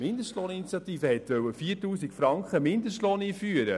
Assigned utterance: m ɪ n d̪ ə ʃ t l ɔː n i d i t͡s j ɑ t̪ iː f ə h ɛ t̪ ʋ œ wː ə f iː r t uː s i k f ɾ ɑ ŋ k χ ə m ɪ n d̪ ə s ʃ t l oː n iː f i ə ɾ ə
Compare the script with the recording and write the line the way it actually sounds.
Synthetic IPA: m ɪ n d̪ ə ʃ t l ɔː n i n i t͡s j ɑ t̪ iː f ə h ɛ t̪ ʋ œ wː ə f iː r t uː s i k f ɾ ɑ ŋ k χ ə m ɪ n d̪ ə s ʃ t l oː n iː f y ə ɾ ə

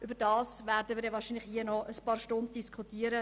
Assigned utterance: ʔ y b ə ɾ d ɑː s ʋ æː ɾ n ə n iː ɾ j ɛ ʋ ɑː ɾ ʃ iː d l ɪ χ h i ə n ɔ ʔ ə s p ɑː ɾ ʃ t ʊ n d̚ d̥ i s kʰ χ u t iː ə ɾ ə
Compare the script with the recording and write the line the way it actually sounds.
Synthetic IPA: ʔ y b ə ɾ d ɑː s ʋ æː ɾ d ə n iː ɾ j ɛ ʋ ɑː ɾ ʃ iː n l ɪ χ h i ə n ɔ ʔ ə s p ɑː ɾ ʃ t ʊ n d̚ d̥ i s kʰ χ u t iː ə ɾ ə

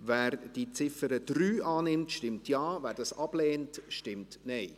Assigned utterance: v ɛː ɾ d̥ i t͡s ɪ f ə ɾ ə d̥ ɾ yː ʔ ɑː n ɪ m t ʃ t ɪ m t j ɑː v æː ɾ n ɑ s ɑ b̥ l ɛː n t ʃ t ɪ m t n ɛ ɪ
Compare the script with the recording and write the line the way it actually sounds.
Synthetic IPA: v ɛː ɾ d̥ i t͡s ɪ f ə ɾ ə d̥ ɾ yː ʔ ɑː n ɪ m t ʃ t ɪ m t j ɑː v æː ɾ d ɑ s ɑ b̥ l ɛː n t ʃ t ɪ m t n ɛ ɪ

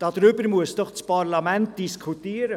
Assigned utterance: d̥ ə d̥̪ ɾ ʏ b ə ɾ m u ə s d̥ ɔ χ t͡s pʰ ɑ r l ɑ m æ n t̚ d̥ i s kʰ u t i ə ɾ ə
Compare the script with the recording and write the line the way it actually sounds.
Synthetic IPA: d̥ ɑ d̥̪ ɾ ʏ b ə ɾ m u ə s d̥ ɔ χ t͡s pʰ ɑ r l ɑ m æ n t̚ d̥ i s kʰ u t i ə ɾ ə

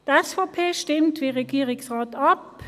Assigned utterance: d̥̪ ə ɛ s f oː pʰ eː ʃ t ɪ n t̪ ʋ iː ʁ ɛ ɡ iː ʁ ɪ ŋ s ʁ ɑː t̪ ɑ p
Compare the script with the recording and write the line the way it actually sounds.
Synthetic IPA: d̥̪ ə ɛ s f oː pʰ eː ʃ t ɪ m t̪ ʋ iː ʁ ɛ ɡ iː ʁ ɪ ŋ s ʁ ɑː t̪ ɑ p

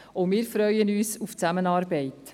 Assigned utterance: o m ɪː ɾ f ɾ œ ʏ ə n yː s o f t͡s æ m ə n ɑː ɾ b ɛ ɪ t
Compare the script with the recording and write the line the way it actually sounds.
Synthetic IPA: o m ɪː ɾ f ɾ œ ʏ ə n yː s u f t͡s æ m ə n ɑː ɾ b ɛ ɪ t

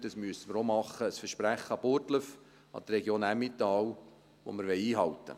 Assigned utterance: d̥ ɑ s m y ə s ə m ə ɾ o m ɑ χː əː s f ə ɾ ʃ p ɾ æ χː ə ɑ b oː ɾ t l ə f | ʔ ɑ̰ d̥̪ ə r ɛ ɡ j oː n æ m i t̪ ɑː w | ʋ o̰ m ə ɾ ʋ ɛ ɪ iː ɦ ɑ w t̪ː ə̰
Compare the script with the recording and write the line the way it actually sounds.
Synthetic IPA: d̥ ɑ s m y ə s ə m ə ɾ o m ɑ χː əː s f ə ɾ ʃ p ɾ æ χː ə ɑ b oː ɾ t l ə f | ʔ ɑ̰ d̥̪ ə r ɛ ɡ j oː n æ m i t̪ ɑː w | ʋ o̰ m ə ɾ ʋ ɛ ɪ iː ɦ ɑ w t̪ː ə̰

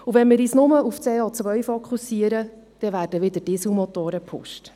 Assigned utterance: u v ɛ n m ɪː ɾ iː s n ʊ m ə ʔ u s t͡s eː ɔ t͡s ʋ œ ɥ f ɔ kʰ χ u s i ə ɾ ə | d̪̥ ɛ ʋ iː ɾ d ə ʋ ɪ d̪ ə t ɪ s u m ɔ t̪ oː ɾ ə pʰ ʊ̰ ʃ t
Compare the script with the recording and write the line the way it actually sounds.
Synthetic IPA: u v ɛ n m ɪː ɾ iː s n ʊ m ə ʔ u f t͡s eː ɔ t͡s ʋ œ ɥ f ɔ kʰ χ u s i ə ɾ ə | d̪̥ ɛ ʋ æː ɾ d ə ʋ ɪ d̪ ə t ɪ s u m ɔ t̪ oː ɾ ə pʰ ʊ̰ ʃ t

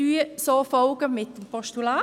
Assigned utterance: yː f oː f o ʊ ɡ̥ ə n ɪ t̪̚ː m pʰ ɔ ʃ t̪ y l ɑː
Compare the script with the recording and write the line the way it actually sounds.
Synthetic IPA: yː s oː f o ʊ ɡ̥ ə m ɪ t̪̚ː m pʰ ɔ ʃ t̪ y l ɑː

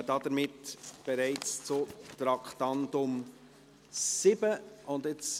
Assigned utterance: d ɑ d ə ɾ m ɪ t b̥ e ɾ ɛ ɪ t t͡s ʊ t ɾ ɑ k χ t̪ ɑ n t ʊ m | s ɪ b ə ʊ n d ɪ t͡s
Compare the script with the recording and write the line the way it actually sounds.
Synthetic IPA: d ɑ d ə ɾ m ɪ t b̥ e ɾ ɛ ɪ t͡s t͡s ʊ t ɾ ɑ k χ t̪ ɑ n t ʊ m | s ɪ b ə ʊ n d ɪ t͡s

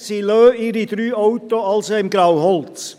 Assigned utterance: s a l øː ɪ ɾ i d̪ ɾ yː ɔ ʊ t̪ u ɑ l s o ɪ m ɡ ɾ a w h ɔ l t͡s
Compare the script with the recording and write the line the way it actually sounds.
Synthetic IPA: s i l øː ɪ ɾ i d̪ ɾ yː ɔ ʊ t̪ o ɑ l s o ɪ m ɡ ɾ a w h ɔ l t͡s

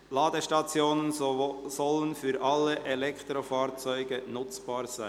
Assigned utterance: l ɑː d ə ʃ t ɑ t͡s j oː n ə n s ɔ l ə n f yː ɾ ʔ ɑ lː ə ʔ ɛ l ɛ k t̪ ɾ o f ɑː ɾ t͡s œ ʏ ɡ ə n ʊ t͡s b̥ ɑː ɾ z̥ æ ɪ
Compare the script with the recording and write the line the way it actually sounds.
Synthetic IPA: l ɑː d ə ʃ t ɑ t͡s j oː n ə n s ɔ l ə n f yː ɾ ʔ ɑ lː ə ʔ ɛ l ɛ k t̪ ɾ o f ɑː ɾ t͡s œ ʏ ɡ ə n ʊ t͡s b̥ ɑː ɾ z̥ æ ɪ

